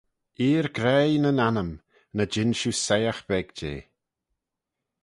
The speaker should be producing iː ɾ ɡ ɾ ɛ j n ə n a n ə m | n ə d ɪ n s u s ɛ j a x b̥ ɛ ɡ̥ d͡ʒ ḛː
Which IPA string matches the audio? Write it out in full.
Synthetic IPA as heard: iː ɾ ɡ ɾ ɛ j n ə n a n ə m | n ə d͡ʒ ɪ n ʃ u s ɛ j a x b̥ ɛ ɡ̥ d͡ʒ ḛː